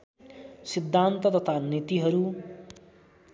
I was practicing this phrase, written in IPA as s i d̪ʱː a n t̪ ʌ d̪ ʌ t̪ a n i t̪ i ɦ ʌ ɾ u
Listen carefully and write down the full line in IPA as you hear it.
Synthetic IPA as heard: s i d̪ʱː a n t̪ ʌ t̪ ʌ t̪ʰ a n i t̪ i ɦ ʌ ɾ u